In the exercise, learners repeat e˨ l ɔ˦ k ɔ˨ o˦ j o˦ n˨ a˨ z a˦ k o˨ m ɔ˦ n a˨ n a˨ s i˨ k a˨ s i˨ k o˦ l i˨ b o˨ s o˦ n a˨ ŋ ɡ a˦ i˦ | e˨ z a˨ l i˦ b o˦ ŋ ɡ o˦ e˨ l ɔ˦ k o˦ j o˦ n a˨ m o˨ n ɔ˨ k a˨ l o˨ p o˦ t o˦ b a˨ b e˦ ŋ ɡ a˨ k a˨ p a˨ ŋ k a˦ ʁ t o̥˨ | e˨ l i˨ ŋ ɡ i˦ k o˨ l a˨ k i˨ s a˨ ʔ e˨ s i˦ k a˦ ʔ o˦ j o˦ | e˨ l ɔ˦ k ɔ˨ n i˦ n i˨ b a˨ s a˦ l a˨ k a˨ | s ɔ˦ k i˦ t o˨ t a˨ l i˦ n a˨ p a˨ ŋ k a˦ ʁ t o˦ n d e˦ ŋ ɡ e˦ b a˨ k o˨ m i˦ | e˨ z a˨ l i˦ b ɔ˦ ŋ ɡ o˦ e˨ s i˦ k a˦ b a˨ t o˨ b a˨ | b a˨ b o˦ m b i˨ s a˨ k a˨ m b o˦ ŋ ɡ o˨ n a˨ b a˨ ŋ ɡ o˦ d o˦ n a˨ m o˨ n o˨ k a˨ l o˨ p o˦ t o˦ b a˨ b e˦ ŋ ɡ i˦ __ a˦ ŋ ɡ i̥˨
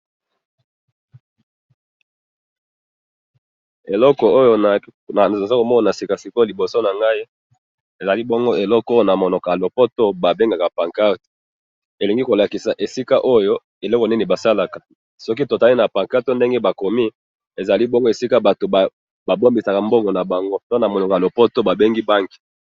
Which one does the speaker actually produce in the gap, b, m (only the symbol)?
b